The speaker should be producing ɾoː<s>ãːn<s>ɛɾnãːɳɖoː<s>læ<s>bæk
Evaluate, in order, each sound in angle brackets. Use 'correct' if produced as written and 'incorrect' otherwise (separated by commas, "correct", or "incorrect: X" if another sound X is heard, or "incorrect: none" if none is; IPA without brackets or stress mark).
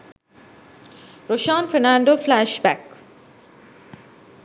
incorrect: ʃ, incorrect: f, incorrect: f, incorrect: ʃ